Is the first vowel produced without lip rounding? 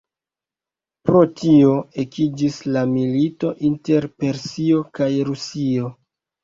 no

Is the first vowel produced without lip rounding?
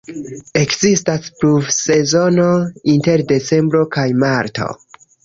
yes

